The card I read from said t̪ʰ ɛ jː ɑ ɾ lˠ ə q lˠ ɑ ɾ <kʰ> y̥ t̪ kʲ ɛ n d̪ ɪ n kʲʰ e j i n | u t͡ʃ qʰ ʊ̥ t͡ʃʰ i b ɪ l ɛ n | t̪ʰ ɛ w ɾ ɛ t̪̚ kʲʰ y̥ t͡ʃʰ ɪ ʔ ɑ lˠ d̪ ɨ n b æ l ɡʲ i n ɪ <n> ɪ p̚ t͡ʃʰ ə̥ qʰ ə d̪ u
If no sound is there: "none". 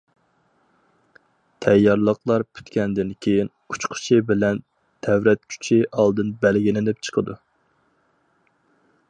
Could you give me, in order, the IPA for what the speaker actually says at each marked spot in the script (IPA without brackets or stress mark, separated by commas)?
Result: pʰ, n